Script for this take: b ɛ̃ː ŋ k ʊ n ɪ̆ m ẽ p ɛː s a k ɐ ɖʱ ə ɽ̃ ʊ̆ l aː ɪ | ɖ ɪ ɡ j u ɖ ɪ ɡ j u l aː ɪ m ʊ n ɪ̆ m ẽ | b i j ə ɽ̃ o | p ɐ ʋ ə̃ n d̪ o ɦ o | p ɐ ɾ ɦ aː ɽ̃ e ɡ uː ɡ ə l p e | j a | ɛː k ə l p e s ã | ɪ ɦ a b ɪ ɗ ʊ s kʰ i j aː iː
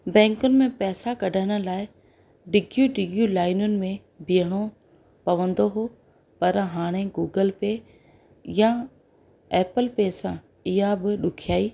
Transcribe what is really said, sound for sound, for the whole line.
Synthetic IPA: b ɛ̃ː ŋ k ʊ n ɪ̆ m ẽ p ɛː s a k ɐ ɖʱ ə ɽ̃ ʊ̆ l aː ɪ | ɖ ɪ ɡ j u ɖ ɪ ɡ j u l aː ɪ n ʊ n ɪ̆ m ẽ | b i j ə ɽ̃ o | p ɐ ʋ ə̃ n d̪ o ɦ o | p ɐ ɾ ɦ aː ɽ̃ e ɡ uː ɡ ə l p e | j a | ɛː p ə l p e s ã | ɪ ɦ a b ɪ ɗ ʊ kʰ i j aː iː